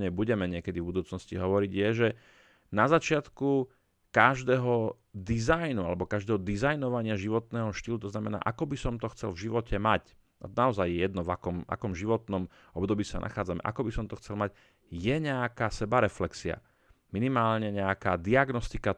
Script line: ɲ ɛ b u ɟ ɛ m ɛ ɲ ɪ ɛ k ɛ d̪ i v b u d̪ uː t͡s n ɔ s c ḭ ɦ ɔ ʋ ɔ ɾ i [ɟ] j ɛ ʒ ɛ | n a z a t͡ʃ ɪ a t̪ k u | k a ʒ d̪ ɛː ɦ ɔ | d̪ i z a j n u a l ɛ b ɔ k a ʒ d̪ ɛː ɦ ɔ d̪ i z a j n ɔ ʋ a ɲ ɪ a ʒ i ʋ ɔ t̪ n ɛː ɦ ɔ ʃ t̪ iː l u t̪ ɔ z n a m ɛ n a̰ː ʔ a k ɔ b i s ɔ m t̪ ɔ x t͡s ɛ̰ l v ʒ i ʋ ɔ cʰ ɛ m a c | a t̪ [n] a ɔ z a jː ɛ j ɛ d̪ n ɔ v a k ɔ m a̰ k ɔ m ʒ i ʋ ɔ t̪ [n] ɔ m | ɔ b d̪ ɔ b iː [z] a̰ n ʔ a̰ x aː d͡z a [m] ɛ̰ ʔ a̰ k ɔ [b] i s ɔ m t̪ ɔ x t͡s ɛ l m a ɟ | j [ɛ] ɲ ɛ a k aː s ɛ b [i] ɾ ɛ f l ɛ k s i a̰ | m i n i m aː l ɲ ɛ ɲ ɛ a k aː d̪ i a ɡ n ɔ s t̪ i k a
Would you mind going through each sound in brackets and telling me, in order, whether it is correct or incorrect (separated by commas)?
correct, correct, correct, incorrect, correct, correct, correct, incorrect